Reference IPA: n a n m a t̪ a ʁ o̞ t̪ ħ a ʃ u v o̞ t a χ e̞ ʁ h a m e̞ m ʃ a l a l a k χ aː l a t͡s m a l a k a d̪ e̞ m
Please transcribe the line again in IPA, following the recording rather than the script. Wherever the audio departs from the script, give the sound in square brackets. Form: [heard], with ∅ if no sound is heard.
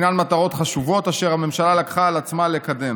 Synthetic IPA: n a n m a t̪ a ʁ o̞ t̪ [χ] a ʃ u v o̞ t a [ʃ] e̞ ʁ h a m e̞ m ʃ a l a l a k χ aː l a t͡s m a l [e] k a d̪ e̞ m

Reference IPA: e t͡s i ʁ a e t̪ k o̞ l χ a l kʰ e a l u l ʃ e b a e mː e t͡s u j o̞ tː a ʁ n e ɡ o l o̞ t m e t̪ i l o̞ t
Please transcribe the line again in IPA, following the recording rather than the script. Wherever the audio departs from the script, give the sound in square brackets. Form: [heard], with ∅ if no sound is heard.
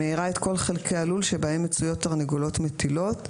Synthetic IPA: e [∅] i ʁ a e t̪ k o̞ l χ [e] l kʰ e a l u l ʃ e b a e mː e t͡s u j o̞ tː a ʁ n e ɡ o l o̞ t m e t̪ i l o̞ t

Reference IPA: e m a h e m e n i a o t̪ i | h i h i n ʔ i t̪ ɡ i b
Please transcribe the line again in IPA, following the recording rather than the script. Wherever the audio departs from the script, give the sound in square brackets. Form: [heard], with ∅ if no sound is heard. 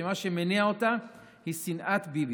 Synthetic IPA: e m a [ʃ] e m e n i a o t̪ [a] | h i [s] i n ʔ [a] t̪ [b] i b

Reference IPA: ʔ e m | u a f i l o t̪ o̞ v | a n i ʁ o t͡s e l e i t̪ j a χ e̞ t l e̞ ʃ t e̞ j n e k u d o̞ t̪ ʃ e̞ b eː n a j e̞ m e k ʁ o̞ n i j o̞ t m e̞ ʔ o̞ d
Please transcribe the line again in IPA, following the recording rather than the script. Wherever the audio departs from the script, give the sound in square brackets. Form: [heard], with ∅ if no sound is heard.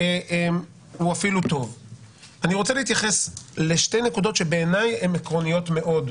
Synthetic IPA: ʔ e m | u a f i l [u] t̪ o̞ v | a n i ʁ o t͡s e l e i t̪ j a χ e̞ [s] l e̞ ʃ t e̞ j n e k u d o̞ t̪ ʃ e̞ b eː n a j e̞ m e k ʁ o̞ n i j o̞ t m e̞ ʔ o̞ d

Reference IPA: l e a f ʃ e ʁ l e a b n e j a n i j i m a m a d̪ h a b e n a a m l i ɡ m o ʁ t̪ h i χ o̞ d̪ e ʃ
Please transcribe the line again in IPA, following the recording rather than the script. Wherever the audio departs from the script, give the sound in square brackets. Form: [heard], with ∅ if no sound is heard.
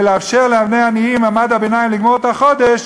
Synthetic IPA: l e a f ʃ e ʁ l e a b n e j a n i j i m a m a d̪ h a b e n a [i] m l i ɡ m o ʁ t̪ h [a] χ o̞ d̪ e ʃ

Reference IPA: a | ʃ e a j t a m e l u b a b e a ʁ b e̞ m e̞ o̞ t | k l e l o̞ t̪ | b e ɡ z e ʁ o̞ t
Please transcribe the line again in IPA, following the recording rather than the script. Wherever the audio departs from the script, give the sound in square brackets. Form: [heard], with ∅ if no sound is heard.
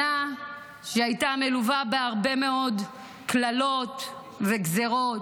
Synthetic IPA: a | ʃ e a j t a m e l u [v] a b e a ʁ b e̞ m e̞ o̞ [d] | k l [a] l o̞ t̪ | [v] e ɡ z e ʁ o̞ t

